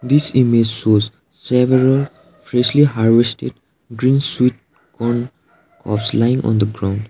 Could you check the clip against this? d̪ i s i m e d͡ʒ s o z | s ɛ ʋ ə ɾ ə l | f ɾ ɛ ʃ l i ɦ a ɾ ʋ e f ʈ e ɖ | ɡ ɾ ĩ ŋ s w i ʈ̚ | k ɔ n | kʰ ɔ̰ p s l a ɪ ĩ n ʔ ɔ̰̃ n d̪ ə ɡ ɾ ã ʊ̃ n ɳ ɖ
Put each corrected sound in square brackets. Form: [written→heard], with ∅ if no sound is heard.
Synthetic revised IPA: d̪ i s i m e d͡ʒ s o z | s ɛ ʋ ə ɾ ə l | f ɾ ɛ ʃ l i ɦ a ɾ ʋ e [f→s] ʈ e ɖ | ɡ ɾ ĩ [ŋ→n] s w i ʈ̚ | k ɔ n | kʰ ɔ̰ p s l a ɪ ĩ [n→ŋ] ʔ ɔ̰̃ n d̪ ə ɡ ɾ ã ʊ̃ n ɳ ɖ